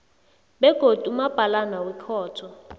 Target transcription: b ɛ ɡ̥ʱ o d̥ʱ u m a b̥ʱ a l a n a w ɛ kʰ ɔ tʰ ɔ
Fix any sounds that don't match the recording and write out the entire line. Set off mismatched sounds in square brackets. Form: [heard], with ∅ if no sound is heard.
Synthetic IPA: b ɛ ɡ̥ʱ o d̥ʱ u m a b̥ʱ a l a n a w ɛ kʰ [ɔː] tʰ ɔ